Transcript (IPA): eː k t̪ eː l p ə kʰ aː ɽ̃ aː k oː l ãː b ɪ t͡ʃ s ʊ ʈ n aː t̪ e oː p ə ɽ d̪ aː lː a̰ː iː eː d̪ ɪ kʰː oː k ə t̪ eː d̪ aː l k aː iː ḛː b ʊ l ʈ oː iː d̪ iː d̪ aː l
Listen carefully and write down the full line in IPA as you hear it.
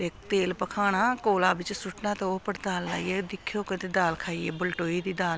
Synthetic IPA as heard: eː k t̪ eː l p ə kʰ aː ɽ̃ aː k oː l aː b ɪ t͡ʃ s ʊ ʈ n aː t̪ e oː p ə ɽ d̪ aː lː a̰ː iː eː d̪ ɪ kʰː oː k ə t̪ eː d̪ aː l kʰ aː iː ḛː b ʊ l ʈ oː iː d̪ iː d̪ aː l